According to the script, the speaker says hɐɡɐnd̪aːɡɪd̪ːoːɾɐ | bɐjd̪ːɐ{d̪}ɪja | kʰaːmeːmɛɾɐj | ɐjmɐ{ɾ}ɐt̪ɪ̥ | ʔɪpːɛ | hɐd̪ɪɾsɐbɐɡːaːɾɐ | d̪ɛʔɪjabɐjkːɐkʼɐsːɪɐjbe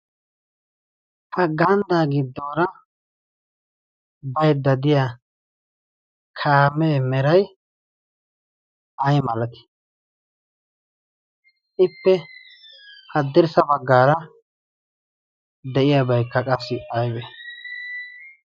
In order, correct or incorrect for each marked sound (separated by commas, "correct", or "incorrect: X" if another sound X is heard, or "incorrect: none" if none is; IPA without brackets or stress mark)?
correct, incorrect: l